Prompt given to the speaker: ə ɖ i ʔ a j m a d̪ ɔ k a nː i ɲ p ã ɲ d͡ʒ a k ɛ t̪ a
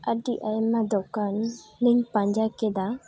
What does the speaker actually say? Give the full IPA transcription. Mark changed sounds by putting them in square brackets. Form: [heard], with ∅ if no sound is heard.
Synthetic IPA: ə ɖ i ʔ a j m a d̪ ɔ k a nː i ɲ p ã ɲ d͡ʒ a k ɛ [d̪] a

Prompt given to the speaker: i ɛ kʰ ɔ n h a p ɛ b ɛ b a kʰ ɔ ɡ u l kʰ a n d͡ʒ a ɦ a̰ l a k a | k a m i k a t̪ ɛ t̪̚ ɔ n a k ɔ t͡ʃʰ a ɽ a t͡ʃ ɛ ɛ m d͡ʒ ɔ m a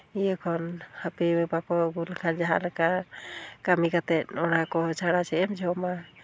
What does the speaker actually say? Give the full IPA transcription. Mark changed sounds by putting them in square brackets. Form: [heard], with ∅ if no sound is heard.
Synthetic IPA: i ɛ kʰ ɔ n h a p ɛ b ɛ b a [k] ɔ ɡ u l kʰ a n d͡ʒ a ɦ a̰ l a k a | k a m i k a t̪ ɛ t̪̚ ɔ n a k ɔ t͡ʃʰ a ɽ a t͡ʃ ɛ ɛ m d͡ʒ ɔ m a

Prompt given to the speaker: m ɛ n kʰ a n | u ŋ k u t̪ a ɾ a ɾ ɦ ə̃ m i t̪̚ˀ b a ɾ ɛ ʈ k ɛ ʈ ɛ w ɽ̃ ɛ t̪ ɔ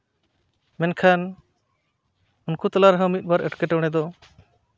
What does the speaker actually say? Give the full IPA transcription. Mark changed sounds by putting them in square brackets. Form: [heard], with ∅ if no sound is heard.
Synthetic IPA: m ɛ n kʰ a n | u [n] k u t̪ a [l] a ɾ ɦ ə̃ m i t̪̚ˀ b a ɾ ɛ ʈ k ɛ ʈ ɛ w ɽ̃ ɛ [d̪] ɔ

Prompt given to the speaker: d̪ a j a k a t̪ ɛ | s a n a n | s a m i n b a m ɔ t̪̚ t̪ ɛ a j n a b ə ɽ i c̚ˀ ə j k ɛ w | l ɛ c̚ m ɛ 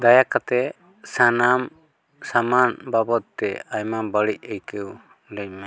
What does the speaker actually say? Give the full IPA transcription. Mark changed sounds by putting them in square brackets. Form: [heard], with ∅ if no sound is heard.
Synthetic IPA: d̪ a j a k a t̪ ɛ | s a n a [m] | s a m [a] n b a [b] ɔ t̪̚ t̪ ɛ a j [m] a b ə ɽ i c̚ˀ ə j k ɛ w | l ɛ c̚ m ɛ

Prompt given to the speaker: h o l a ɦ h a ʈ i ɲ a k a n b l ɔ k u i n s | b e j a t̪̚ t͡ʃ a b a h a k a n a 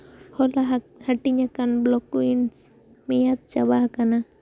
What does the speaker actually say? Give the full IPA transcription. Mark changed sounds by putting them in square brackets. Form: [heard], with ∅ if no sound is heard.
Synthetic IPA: h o l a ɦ h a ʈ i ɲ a k a n b l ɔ k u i n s | [m] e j a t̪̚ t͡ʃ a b a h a k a n a

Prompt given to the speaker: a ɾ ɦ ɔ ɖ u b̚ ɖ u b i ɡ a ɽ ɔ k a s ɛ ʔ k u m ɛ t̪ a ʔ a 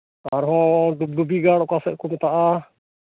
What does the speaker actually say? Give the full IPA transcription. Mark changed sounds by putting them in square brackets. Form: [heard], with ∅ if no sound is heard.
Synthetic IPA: a ɾ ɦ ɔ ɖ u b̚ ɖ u b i ɡ a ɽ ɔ k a s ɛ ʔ k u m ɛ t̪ a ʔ a

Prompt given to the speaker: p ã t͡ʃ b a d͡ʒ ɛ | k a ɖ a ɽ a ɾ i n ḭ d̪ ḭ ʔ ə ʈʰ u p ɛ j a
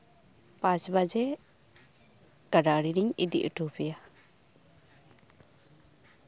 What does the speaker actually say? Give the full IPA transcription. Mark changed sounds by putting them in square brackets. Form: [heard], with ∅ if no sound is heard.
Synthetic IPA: p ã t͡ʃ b a d͡ʒ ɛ | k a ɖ a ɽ [i] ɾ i [ɲ] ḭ d̪ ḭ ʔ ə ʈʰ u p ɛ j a

